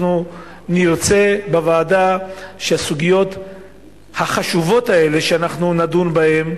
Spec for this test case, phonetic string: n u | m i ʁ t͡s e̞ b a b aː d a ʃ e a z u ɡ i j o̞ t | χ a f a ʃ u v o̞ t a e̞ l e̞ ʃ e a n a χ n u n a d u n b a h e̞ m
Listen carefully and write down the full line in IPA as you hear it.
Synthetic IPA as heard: n u | n i ʁ t͡s e̞ b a v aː d a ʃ e a s u ɡ i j o̞ t | h a χ a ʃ u v o̞ t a e̞ l e̞ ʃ e a n a χ n u n a d u n b a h e̞ m